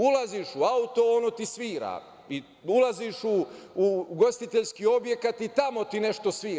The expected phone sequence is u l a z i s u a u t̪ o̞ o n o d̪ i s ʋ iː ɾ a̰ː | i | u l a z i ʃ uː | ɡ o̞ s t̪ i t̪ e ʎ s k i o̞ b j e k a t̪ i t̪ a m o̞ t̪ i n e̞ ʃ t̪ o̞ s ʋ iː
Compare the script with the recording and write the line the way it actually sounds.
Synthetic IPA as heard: u l a z i ʃ u a u t̪ o̞ o n o t̪ i s ʋ iː ɾ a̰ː | i | u l a z i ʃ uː | ɡ o̞ s t̪ i t̪ e ʎ s k i o̞ b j e k a t̪ i t̪ a m o̞ t̪ i n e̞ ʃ t̪ o̞ s ʋ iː

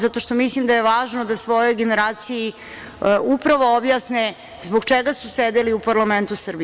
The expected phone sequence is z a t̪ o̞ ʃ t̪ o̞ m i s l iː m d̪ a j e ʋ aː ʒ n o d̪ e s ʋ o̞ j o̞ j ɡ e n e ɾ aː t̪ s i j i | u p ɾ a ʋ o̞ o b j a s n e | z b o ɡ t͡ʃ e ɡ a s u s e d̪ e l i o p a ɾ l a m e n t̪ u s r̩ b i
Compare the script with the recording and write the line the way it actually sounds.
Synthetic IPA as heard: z a t̪ o̞ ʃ t̪ o̞ m i s l i m d̪ a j e ʋ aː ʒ n o d̪ a s ʋ o̞ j o̞ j ɡ e n e ɾ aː t̪ s i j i | u p ɾ a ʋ o̞ o b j a s n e | z b o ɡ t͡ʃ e ɡ a s u s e d̪ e l i u p a ɾ l a m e n t̪ u s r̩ b i

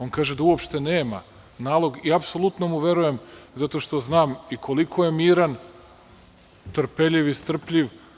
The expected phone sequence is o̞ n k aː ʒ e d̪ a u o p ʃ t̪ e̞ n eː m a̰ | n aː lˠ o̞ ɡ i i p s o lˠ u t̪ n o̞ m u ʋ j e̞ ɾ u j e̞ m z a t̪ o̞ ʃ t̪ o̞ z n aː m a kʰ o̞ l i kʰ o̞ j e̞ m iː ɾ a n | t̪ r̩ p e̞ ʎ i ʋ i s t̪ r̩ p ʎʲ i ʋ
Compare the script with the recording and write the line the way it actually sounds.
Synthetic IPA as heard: o̞ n k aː ʒ e d̪ a u o p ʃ t̪ e̞ n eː m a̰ | n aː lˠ o̞ ɡ i a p s o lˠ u t̪ n o̞ m u ʋ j e̞ ɾ u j e̞ m z a t̪ o̞ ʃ t̪ o̞ z n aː m i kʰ o̞ l i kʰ o̞ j e̞ m iː ɾ a n | t̪ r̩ p e̞ ʎ i ʋ i s t̪ r̩ p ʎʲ i ʋ

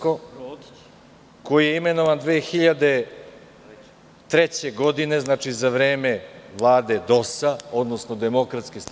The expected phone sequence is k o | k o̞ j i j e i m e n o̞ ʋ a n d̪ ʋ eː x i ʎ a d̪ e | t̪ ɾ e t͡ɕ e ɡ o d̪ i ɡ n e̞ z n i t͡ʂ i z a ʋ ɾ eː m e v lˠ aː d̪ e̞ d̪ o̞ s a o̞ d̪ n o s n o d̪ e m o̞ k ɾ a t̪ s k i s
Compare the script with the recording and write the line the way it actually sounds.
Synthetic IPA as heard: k o | k o̞ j i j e i m e n o̞ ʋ a n d̪ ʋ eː x i ʎ a d̪ e | t̪ ɾ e t͡ɕ e ɡ o d̪ i n e̞ z n a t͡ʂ i z a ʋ ɾ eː m e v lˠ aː d̪ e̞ d̪ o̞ s a o̞ d̪ n o s n o d̪ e m o̞ k ɾ a t̪ s k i s

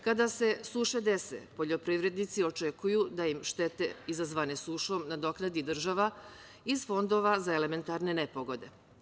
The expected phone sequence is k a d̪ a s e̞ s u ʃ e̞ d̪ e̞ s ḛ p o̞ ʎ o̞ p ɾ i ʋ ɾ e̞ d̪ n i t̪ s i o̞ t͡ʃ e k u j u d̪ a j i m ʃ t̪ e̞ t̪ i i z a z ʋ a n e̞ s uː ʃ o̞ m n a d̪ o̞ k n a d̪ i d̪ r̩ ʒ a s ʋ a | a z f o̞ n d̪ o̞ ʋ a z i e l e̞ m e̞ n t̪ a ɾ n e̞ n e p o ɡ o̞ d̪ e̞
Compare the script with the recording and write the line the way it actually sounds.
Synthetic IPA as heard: k a d̪ a s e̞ s u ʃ e̞ d̪ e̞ s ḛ p o̞ ʎ o̞ p ɾ i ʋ ɾ e̞ d̪ n i t̪ s i o̞ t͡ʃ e k u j u d̪ a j i m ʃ t̪ e̞ t̪ e i z a z ʋ a n e̞ s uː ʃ o̞ m n a d̪ o̞ k n a d̪ i d̪ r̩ ʒ a ʋ a | i z f o̞ n d̪ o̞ ʋ a z a e l e̞ m e̞ n t̪ a ɾ n e̞ n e p o ɡ o̞ d̪ e̞

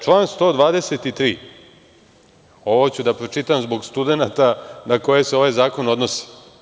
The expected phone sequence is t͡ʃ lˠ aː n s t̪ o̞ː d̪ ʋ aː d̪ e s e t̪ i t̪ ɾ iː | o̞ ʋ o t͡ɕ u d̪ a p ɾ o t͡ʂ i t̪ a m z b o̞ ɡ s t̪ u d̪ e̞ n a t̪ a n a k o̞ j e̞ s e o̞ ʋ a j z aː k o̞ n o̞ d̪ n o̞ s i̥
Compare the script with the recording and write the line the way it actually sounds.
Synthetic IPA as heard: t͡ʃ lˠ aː n s t̪ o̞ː d̪ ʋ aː d̪ e s e t̪ i t̪ ɾ iː | o̞ ʋ o t͡ɕ u d̪ a p ɾ o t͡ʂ i t̪ a m z b o̞ ɡ s t̪ u d̪ e̞ n a t̪ a n a k o̞ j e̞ s e o̞ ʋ a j z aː k o̞ n o̞ d̪ n o̞ s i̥

